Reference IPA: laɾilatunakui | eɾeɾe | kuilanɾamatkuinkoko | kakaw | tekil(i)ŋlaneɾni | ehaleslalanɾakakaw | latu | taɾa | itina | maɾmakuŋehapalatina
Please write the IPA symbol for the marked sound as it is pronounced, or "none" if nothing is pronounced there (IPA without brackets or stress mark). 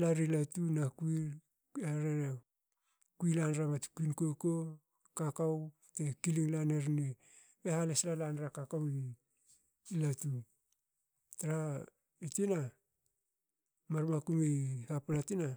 i